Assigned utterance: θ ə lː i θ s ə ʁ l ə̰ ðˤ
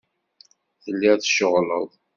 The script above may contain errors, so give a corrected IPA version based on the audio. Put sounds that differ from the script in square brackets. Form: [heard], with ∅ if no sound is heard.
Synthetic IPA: θ ə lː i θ [ʃ] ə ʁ l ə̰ ðˤ